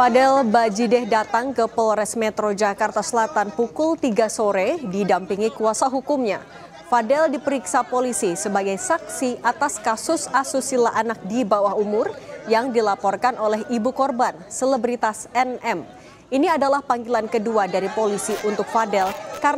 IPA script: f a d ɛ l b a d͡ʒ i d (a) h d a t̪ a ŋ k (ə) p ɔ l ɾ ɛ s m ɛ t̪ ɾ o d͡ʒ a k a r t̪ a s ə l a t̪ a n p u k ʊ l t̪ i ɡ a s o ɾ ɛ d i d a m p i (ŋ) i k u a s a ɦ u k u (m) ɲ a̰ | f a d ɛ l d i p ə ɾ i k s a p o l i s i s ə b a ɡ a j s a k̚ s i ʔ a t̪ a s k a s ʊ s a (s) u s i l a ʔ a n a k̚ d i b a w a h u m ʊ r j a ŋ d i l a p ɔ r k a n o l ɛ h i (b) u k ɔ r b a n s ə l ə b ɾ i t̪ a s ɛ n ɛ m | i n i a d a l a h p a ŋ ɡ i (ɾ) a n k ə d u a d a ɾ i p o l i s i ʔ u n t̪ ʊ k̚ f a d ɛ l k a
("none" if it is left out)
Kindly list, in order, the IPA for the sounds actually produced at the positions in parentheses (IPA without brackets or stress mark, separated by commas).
ɛ, ə, ŋ, m, s, b, l